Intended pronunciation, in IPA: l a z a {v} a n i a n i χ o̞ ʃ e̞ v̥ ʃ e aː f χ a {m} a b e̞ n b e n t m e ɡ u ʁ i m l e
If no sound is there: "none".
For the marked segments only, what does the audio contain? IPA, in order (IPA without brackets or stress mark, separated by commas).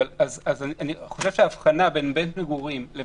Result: z, n